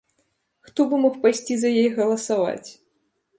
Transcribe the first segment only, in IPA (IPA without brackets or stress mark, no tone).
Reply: x